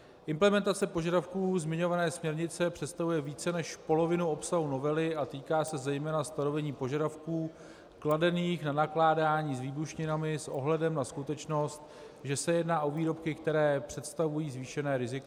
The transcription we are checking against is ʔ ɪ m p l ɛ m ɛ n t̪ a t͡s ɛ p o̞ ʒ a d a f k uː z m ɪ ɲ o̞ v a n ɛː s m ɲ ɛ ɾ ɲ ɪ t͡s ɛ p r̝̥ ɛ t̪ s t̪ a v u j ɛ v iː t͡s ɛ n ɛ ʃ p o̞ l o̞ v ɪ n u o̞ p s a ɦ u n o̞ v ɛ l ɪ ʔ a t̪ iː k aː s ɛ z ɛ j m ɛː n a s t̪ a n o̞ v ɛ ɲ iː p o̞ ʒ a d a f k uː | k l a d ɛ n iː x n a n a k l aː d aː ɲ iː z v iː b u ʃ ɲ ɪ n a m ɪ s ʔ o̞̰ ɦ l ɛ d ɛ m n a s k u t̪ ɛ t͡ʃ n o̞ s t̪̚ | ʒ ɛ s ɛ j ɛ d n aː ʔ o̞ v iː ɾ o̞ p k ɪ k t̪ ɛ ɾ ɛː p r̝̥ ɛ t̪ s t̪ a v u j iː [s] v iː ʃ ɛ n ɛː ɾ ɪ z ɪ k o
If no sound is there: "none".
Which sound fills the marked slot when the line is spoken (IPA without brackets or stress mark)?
z